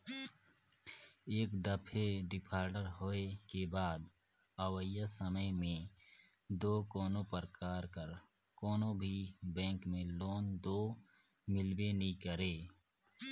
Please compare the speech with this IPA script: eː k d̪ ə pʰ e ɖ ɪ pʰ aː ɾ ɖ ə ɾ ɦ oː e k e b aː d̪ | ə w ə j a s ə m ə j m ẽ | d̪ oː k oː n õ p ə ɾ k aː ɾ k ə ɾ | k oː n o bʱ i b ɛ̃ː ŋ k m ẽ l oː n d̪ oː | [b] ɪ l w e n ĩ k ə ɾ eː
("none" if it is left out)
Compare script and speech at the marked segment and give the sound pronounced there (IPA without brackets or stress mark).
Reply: m